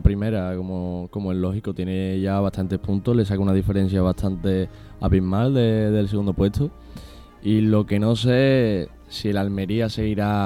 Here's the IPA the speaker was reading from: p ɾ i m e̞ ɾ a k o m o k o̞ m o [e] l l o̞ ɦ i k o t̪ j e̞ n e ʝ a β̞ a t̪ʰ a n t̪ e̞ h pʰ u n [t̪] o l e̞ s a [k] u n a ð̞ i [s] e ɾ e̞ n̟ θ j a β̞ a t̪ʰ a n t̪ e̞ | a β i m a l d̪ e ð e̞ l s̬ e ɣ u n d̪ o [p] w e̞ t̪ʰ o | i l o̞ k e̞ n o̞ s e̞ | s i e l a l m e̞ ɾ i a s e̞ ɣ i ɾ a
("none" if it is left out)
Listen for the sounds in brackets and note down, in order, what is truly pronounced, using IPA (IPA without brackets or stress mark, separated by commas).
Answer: e, t̪, k, f, p